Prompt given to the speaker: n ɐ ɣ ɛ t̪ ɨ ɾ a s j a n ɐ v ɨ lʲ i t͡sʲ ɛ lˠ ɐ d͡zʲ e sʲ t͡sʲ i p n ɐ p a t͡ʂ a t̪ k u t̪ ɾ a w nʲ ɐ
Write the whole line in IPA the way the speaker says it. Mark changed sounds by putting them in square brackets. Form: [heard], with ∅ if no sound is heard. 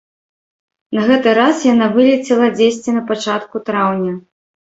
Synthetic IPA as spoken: n ɐ ɣ ɛ t̪ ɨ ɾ a s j a n [a] v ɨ lʲ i t͡sʲ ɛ lˠ ɐ d͡zʲ e sʲ t͡sʲ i [∅] n ɐ p a t͡ʂ a t̪ k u t̪ ɾ a w nʲ ɐ

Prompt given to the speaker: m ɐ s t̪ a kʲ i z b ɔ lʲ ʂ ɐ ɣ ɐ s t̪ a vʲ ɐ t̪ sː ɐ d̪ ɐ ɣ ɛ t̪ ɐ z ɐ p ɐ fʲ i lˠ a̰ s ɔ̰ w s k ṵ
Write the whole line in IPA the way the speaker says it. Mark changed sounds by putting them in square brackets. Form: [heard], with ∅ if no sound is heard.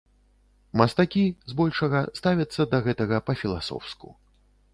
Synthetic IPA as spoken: m ɐ s t̪ a kʲ i z b ɔ lʲ ʂ ɐ ɣ ɐ s t̪ a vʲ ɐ t̪ sː ɐ d̪ ɐ ɣ ɛ t̪ ɐ [ɣ] ɐ p ɐ fʲ i lˠ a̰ s ɔ̰ w s k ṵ

